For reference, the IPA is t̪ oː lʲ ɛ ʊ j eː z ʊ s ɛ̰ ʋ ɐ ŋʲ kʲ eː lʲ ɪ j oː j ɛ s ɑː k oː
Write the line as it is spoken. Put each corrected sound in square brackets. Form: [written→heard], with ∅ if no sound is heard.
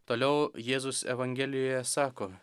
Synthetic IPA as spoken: t̪ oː lʲ ɛ ʊ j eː z ʊ s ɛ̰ ʋ ɐ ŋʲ [kʲ→ɡʲ] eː lʲ ɪ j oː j ɛ s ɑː k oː